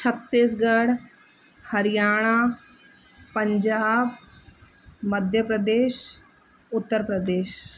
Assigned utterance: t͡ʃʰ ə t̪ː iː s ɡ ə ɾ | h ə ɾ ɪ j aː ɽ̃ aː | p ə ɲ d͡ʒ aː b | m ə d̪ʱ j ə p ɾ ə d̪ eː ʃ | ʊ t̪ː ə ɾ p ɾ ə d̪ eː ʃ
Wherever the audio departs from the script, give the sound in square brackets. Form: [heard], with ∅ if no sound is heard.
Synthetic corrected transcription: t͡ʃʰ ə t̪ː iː s ɡ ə [ɽ] | h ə ɾ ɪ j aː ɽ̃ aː | p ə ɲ d͡ʒ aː b | m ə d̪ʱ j ə p ɾ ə d̪ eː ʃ | ʊ t̪ː ə ɾ p ɾ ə d̪ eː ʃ